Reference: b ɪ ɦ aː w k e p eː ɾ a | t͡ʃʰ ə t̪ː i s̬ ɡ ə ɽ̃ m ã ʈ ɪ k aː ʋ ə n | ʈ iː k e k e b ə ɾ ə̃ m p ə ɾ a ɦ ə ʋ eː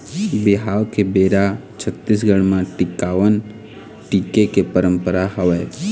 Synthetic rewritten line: b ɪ ɦ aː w k e b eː ɾ a | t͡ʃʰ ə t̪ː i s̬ ɡ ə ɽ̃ m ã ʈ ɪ k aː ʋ ə n | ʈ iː k e k e p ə ɾ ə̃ m p ə ɾ a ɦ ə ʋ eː